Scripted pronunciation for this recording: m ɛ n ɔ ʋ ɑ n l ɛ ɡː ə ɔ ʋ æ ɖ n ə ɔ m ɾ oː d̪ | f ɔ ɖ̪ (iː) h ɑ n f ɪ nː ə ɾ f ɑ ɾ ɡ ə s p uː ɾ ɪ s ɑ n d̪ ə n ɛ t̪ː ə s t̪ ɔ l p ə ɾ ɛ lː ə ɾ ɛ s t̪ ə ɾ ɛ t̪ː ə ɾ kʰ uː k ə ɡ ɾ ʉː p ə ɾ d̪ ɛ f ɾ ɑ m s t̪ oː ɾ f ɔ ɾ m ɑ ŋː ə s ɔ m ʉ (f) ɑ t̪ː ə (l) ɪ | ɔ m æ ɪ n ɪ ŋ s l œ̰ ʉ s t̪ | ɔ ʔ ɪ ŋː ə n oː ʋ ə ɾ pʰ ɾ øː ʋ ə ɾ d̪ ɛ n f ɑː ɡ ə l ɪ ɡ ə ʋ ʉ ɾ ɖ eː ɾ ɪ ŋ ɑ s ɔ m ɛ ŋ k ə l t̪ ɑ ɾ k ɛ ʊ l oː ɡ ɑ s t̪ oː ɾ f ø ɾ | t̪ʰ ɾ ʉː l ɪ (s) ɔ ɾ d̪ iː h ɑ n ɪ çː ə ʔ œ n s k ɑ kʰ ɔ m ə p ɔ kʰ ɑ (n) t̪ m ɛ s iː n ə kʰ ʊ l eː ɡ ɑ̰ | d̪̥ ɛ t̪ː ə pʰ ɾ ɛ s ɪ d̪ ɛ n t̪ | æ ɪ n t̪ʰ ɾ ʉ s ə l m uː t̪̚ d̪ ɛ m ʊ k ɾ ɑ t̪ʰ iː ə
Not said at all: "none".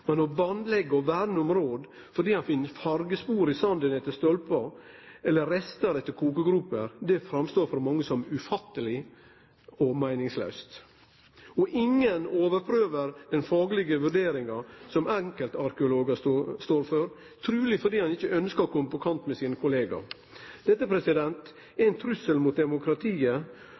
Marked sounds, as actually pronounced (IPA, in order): iː, f, l, f, n

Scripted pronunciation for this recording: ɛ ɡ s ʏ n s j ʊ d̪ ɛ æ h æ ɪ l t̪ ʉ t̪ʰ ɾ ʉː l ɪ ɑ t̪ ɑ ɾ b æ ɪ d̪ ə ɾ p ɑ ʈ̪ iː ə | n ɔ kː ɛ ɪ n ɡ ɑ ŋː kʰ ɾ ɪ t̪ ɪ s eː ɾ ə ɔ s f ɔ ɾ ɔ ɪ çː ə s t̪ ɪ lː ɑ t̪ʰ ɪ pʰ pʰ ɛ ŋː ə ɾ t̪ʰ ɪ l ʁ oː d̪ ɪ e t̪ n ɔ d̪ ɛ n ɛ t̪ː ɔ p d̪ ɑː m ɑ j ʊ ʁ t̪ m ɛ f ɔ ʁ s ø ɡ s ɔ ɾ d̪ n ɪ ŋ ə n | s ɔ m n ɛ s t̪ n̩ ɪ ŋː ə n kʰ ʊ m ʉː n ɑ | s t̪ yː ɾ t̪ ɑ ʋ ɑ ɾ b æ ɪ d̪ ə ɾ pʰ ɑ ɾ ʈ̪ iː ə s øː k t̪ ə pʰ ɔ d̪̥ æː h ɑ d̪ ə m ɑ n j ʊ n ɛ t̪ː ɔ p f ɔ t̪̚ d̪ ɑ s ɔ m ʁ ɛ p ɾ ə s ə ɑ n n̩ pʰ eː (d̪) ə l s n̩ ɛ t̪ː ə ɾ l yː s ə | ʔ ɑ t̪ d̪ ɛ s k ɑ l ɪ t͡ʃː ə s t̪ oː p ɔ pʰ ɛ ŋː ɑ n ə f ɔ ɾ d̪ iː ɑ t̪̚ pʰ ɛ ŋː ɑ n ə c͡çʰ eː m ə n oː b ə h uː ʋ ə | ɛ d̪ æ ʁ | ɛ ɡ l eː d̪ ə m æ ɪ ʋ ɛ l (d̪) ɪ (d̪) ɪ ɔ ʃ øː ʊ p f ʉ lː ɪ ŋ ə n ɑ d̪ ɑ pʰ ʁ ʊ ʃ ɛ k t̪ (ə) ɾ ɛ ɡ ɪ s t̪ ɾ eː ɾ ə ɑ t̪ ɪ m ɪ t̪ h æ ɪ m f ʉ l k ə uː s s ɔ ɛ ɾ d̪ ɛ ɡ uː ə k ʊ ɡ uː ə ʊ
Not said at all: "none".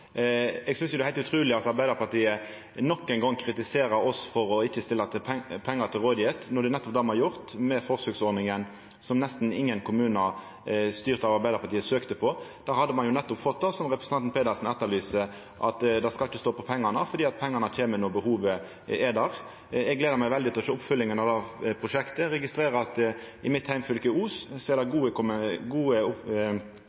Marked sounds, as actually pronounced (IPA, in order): d̪, d̪, t̪, ə

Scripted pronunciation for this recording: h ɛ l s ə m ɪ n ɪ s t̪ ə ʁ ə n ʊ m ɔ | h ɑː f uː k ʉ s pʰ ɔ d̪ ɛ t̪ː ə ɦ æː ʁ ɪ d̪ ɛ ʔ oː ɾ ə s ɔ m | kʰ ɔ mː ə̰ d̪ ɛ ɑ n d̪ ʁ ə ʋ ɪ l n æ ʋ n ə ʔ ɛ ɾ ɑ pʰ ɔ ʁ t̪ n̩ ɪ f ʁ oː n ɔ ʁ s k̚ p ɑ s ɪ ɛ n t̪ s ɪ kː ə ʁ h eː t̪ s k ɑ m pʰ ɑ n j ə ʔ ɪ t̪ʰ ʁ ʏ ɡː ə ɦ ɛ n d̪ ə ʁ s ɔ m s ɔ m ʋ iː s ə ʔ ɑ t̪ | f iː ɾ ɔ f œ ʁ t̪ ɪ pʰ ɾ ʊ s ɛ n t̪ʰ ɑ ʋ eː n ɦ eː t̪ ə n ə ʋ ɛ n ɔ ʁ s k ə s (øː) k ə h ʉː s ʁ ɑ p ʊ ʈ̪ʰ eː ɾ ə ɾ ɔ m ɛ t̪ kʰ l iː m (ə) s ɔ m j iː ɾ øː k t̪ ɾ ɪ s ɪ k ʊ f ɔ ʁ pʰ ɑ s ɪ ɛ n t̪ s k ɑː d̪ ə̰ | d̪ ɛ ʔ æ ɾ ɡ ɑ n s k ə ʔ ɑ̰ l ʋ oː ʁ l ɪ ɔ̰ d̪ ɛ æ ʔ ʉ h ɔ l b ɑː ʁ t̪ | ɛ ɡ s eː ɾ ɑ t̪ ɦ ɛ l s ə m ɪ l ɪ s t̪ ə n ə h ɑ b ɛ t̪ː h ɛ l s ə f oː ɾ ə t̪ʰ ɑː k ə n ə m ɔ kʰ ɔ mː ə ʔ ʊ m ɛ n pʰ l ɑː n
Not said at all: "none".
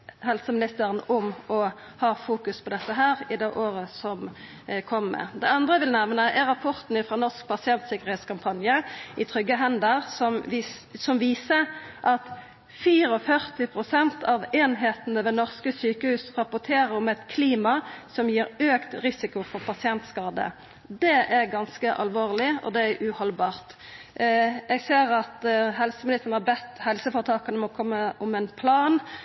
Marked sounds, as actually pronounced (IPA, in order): yː, ɑ

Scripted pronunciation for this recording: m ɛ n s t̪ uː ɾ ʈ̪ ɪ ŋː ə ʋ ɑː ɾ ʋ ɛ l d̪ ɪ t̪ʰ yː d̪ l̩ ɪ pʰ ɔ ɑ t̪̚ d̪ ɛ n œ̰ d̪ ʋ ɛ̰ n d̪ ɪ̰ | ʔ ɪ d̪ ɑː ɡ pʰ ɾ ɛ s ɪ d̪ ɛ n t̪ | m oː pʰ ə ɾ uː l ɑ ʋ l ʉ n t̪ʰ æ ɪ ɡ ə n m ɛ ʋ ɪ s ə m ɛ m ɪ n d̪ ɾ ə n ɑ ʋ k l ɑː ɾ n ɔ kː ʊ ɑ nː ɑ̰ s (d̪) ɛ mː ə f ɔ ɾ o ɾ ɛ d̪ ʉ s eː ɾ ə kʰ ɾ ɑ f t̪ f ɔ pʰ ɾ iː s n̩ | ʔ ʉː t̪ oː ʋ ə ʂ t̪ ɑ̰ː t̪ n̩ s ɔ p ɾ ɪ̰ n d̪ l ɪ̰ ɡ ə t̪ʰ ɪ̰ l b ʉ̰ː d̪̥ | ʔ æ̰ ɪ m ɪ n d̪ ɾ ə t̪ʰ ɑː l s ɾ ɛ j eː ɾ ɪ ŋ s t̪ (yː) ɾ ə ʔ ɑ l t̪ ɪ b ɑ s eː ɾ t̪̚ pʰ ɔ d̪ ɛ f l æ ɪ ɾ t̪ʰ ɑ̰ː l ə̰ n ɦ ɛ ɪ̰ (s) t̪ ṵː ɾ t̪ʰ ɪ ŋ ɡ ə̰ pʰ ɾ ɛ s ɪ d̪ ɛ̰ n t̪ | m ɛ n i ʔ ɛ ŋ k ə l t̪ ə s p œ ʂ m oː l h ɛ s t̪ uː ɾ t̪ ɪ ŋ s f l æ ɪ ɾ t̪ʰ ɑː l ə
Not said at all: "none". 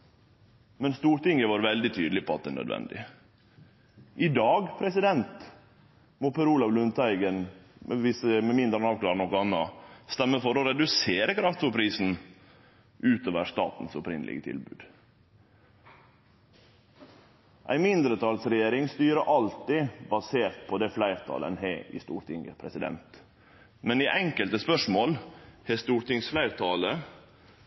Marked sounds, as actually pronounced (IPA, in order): t̪, yː, s

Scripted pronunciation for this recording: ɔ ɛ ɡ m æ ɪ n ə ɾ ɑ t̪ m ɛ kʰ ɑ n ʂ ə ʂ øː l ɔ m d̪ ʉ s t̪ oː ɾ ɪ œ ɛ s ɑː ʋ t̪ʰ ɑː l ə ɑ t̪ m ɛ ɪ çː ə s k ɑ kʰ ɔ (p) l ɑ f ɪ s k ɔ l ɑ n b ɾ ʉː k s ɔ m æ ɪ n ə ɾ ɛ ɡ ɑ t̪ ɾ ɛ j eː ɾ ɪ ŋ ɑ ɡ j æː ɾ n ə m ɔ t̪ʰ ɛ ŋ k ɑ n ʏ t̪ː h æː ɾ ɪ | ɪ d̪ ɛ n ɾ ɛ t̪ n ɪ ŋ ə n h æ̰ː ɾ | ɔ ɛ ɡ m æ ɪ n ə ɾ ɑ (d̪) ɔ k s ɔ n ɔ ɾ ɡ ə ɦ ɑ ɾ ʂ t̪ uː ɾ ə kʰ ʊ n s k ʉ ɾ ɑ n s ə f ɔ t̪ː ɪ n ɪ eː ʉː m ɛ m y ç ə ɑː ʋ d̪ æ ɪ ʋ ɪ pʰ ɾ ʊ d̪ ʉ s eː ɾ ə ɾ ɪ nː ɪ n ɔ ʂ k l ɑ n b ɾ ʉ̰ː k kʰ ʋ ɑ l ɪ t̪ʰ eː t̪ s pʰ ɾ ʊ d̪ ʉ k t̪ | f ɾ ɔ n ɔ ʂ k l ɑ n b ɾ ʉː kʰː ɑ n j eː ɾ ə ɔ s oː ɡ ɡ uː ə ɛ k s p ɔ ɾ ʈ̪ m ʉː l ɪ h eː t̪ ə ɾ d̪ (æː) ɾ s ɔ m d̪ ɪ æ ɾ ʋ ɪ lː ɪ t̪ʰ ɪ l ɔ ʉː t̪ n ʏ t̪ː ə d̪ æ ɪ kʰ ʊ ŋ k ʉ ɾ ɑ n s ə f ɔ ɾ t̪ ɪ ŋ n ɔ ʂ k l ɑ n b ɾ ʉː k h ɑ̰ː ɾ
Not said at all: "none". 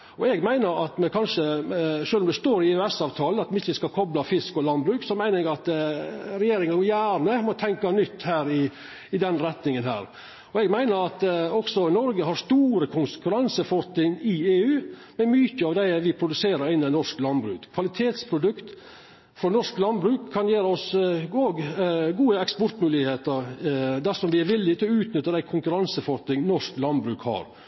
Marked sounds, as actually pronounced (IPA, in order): b, t̪, æ

